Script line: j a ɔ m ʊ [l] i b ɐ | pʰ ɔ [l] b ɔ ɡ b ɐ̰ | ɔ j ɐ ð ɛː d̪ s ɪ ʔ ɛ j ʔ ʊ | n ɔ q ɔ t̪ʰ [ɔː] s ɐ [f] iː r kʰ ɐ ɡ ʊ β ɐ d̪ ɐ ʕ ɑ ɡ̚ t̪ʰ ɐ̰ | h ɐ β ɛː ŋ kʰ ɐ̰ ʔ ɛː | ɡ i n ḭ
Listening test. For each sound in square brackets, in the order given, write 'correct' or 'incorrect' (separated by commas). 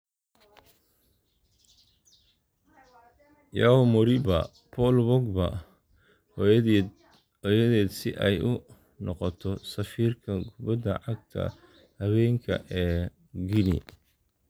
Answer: incorrect, correct, incorrect, correct